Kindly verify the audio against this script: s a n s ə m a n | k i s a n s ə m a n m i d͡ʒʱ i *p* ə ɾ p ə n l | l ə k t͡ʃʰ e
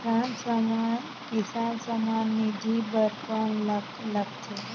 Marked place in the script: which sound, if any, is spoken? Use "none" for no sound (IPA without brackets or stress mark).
b